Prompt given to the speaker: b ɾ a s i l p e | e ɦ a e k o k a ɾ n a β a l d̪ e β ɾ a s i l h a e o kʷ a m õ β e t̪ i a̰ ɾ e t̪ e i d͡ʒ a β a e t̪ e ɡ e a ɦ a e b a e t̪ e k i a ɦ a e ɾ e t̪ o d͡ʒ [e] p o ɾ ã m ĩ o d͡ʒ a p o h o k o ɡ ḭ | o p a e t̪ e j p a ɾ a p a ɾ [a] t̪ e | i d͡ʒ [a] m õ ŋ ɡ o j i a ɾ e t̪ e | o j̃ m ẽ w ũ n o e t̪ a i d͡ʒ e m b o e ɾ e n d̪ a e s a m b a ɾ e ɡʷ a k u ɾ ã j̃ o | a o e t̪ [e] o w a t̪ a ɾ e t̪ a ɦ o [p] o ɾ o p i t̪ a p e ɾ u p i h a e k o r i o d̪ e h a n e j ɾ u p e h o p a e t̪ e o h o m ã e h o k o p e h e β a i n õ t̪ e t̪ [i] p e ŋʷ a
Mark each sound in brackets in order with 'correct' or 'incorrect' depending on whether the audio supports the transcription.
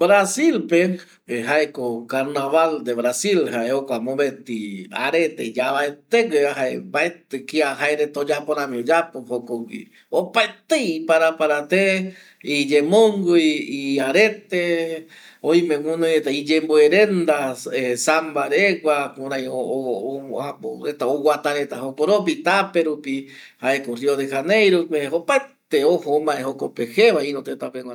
incorrect, correct, incorrect, incorrect, incorrect, incorrect

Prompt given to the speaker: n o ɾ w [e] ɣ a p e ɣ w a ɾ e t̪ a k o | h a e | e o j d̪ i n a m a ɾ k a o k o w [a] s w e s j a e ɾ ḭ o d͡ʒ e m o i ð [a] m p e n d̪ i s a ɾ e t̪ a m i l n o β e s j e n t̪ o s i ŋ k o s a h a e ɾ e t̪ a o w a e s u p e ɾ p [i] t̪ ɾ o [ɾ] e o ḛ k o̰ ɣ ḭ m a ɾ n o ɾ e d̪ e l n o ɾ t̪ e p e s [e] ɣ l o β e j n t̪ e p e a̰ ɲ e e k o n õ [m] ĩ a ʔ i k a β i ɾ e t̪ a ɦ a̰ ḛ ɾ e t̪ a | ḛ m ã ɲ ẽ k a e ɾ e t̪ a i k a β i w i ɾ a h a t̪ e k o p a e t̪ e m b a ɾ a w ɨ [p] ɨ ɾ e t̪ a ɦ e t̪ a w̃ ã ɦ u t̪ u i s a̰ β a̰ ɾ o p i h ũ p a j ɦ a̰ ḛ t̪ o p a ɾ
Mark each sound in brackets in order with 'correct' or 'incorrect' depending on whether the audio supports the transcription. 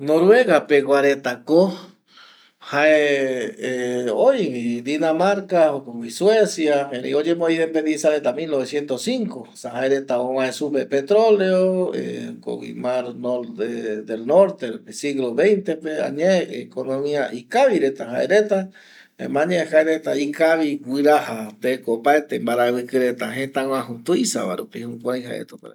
correct, incorrect, incorrect, incorrect, incorrect, incorrect, correct, incorrect

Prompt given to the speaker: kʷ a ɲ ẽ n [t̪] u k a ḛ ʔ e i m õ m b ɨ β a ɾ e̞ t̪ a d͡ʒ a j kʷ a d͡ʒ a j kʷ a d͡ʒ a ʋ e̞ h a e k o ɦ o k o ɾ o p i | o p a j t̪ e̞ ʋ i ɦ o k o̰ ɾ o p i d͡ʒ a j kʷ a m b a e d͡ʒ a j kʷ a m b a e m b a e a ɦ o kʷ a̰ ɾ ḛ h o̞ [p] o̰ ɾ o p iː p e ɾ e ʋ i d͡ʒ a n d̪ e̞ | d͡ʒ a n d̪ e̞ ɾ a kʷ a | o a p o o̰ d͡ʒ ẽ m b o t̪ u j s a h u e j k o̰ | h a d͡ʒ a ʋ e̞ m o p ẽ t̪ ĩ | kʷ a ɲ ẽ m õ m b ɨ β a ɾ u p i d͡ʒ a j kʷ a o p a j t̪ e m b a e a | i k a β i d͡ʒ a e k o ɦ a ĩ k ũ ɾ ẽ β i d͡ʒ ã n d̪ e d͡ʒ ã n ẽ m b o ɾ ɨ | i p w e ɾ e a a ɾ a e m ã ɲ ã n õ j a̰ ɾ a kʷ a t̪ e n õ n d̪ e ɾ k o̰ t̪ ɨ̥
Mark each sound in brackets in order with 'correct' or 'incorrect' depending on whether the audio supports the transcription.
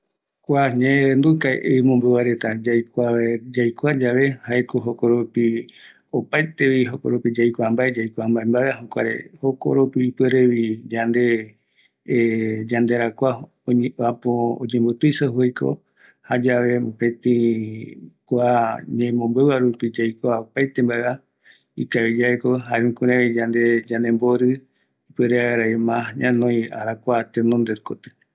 incorrect, incorrect

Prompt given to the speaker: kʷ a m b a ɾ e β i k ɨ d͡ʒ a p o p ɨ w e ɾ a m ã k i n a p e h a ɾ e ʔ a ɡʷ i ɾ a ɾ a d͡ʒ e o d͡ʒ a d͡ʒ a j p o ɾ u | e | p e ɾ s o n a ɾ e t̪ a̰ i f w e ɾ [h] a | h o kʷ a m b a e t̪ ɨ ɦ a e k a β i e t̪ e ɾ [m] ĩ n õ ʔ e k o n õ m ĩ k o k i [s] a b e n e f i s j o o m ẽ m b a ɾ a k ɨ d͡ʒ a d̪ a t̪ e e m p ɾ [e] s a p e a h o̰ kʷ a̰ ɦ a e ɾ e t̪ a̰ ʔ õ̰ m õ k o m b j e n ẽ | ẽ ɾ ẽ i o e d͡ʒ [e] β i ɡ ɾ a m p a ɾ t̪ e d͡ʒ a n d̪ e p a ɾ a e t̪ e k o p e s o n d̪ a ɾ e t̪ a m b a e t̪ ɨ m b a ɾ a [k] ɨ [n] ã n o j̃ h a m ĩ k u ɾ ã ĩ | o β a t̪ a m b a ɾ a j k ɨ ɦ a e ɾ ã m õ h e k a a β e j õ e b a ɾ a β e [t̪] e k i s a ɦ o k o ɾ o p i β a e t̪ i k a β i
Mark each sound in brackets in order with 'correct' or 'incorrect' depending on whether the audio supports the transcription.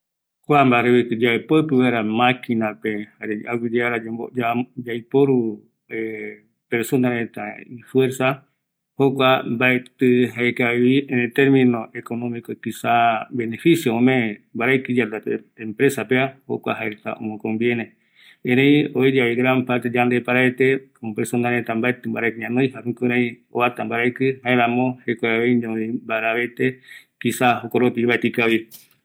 incorrect, correct, correct, correct, incorrect, correct, incorrect, correct

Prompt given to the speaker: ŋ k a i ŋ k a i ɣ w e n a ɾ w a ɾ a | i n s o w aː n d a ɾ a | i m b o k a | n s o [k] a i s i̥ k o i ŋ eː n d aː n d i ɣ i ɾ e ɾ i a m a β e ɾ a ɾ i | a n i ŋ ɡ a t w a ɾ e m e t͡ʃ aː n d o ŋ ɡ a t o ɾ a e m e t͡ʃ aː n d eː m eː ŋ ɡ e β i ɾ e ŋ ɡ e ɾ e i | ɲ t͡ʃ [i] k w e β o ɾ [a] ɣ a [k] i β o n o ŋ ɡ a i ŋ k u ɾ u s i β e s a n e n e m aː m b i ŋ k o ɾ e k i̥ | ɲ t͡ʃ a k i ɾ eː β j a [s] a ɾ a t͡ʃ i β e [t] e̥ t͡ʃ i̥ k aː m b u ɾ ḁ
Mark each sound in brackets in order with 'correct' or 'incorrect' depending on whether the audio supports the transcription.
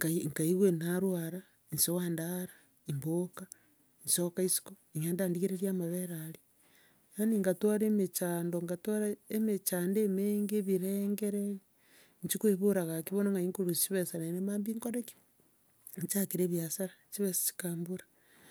correct, correct, correct, correct, correct, incorrect

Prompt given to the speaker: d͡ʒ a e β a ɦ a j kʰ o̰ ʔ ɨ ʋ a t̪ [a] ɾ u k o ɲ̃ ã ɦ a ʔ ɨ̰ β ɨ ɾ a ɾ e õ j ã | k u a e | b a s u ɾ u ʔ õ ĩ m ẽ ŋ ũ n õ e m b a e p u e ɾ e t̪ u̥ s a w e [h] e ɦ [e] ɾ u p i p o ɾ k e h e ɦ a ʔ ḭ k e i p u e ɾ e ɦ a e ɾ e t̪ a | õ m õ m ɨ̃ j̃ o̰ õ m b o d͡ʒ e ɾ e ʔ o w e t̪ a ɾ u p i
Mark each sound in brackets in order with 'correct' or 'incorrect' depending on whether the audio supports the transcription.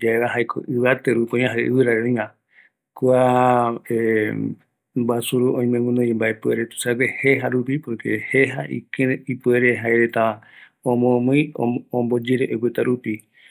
incorrect, correct, incorrect

